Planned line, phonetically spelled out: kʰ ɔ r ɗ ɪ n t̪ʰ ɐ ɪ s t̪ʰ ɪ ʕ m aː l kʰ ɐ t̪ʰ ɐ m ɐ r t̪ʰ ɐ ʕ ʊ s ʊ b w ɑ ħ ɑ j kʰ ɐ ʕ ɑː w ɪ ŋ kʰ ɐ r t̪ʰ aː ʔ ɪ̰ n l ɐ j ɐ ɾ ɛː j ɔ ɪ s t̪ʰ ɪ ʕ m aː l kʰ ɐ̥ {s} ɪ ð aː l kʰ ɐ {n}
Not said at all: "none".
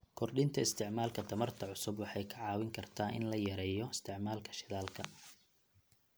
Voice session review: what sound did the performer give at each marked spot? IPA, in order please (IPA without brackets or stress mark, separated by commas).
ʃ, none